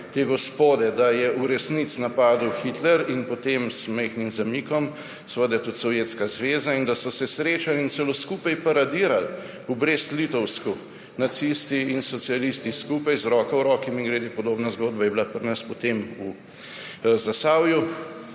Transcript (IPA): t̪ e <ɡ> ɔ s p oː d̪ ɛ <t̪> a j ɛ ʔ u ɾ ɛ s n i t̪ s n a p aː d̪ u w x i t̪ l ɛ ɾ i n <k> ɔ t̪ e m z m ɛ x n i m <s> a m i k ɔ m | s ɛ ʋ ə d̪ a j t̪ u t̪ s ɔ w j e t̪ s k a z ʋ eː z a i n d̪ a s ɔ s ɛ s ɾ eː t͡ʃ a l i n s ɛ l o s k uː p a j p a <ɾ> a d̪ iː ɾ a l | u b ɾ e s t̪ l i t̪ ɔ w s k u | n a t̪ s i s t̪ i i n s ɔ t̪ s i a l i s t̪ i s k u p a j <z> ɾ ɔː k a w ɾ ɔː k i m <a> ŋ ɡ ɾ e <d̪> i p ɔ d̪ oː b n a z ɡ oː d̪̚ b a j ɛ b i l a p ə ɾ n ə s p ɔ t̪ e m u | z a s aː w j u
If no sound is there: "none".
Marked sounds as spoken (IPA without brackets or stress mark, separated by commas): ɡ, d̪, p, z, ɾ, z, i, d̪